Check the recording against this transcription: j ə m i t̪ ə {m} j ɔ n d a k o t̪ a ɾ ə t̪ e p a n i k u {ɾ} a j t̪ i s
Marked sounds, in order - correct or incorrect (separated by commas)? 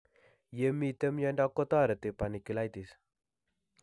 correct, incorrect